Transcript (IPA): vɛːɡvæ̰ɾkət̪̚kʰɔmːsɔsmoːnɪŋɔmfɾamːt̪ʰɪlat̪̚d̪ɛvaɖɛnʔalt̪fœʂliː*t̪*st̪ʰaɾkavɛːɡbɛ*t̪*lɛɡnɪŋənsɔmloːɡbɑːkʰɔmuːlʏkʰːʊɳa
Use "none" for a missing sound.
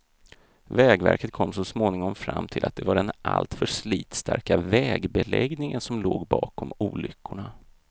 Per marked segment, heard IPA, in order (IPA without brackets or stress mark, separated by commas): t̪, none